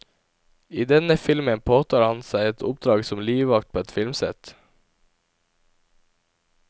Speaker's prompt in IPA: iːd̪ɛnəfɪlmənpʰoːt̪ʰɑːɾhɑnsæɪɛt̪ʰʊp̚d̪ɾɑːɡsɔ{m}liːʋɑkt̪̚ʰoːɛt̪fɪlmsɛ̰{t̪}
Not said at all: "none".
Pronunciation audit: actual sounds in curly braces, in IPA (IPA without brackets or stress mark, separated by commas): m, t̪